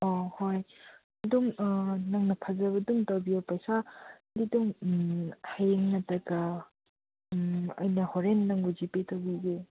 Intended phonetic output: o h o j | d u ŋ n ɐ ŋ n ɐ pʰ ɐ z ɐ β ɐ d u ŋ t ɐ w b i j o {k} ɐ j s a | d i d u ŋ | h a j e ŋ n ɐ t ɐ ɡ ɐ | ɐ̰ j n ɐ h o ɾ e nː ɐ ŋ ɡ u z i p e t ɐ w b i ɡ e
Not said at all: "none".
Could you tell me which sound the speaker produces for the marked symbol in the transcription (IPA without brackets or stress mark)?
p